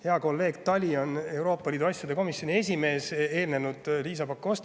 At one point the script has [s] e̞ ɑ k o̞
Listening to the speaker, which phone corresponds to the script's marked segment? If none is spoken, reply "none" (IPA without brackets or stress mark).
h